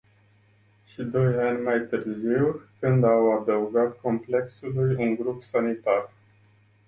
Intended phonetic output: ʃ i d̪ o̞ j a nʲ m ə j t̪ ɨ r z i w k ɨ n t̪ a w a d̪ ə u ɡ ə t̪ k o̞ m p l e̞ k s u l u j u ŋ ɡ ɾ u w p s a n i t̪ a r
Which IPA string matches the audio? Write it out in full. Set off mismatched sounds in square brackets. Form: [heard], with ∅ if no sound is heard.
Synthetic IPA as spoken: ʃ i d̪ o̞ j a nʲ m [a] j t̪ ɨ r z i w k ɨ n [d̪] a w a d̪ ə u ɡ [a] t̪ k o̞ m p l e̞ k s u l u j u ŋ ɡ ɾ u [∅] p s a n i t̪ a r